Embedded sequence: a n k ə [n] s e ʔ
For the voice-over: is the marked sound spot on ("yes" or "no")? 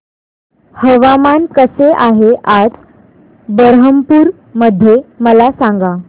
no